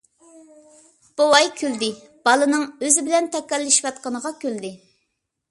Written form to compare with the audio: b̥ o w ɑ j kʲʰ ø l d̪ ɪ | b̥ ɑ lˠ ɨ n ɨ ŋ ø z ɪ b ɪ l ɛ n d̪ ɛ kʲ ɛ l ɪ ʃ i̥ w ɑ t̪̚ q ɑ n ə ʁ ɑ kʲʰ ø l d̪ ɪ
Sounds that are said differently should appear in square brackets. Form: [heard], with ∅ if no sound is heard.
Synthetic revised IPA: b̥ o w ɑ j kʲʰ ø l d̪ ɪ | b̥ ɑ lˠ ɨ n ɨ ŋ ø z ɪ b ɪ l ɛ n [t̪] ɛ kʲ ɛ [lː] ɪ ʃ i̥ w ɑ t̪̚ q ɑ n ə ʁ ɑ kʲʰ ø l d̪ ɪ